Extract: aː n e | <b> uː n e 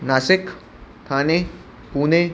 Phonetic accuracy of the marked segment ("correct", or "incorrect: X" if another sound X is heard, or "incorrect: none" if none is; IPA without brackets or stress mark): incorrect: p